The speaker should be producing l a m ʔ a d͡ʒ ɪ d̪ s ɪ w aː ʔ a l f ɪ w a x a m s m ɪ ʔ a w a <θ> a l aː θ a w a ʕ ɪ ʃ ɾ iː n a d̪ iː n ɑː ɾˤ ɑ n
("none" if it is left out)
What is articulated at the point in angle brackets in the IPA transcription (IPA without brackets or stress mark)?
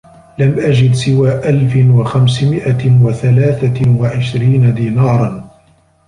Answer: θ